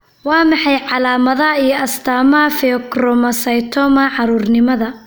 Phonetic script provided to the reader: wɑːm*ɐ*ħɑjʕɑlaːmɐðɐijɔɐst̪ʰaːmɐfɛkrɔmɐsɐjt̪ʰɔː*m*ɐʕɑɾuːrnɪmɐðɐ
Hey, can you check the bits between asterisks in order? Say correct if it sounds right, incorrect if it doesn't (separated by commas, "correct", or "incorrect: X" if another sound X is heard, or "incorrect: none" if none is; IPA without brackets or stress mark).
incorrect: ɑ, correct